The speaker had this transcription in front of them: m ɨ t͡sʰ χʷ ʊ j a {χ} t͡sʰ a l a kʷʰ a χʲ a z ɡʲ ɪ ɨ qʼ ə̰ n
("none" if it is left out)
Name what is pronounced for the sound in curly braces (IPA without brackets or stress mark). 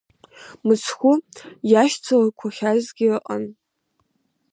ʃ